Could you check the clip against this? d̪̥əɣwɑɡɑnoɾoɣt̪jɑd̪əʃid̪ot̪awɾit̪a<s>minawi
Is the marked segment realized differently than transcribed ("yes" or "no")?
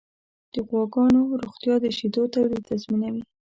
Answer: yes